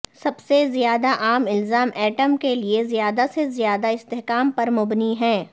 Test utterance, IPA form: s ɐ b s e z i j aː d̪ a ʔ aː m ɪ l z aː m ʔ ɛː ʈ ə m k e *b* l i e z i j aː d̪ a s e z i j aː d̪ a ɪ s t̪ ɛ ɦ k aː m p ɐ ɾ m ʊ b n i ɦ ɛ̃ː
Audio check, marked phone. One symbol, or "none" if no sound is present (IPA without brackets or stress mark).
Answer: none